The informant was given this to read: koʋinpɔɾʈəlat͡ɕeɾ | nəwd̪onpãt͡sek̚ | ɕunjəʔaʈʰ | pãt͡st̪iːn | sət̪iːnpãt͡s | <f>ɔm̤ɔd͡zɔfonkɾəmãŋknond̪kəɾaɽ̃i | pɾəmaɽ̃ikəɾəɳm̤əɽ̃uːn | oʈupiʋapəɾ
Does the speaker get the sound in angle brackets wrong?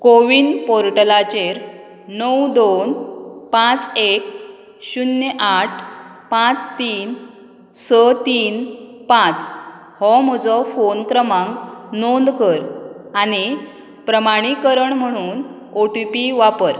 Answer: yes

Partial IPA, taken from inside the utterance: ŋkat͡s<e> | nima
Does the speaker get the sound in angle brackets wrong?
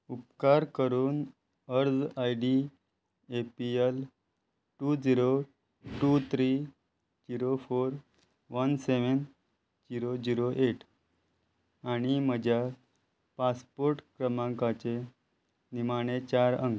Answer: no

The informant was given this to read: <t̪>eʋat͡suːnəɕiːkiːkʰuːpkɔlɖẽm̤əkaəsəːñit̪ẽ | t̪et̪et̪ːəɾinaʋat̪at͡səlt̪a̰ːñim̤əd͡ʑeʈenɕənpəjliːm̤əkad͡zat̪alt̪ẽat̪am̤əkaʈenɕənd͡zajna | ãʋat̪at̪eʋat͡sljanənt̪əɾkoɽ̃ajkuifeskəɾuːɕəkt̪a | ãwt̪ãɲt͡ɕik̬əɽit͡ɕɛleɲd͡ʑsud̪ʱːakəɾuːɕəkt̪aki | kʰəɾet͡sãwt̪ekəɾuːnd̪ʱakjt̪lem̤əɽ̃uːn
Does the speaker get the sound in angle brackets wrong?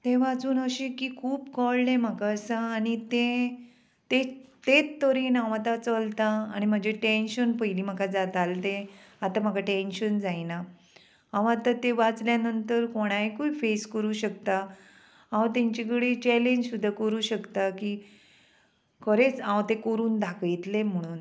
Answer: no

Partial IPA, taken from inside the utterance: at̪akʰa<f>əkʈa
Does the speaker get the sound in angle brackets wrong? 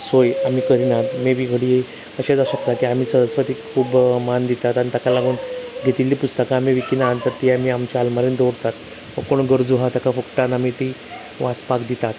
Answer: no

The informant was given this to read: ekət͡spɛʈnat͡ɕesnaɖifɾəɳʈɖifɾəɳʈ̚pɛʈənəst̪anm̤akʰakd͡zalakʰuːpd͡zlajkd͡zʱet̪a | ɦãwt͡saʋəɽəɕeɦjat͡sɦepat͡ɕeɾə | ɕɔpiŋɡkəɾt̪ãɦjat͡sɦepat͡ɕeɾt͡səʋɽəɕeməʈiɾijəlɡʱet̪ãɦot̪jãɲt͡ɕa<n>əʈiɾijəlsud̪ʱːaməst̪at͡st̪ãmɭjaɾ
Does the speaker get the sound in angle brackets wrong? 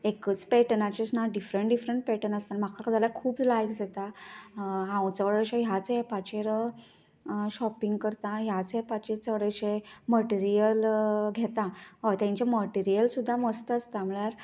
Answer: yes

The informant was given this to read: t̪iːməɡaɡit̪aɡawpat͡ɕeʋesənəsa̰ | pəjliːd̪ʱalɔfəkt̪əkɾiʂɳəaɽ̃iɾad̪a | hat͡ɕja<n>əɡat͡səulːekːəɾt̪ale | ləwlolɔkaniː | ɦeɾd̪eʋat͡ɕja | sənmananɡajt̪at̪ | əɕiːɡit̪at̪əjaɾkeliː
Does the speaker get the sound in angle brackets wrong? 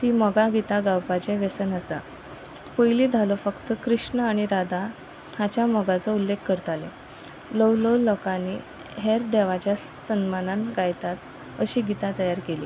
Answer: yes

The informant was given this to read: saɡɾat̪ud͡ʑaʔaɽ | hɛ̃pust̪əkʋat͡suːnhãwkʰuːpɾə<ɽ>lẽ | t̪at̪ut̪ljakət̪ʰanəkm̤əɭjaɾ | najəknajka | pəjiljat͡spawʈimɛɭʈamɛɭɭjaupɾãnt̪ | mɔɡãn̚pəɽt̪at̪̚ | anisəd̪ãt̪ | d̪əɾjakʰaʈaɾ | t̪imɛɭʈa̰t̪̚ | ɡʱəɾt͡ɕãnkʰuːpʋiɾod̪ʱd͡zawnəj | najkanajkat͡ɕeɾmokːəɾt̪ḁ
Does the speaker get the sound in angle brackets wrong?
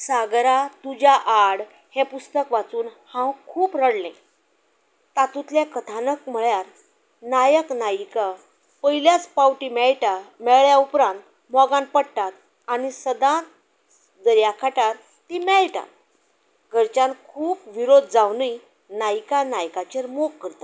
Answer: no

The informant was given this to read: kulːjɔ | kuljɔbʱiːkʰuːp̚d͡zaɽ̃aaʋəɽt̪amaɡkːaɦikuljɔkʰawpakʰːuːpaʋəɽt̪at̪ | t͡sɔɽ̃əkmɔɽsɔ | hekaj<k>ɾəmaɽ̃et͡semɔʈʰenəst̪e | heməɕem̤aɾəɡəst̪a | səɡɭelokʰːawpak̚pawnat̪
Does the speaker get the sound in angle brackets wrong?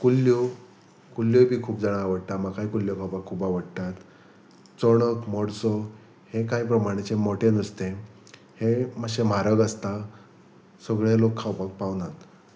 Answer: yes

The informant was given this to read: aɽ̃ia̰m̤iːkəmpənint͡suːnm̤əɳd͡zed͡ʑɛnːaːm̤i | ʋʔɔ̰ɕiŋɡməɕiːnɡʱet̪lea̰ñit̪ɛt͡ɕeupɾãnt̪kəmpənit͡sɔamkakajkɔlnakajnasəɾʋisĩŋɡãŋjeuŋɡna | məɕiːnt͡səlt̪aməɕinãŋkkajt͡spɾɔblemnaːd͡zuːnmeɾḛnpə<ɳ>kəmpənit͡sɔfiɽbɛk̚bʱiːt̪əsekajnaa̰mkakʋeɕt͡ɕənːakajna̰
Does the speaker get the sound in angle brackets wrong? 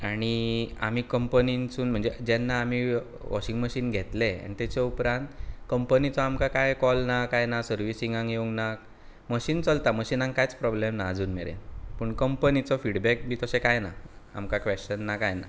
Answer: no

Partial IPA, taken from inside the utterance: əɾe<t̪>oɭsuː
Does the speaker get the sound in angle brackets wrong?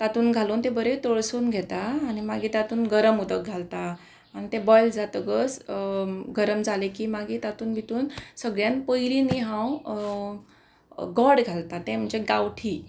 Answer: no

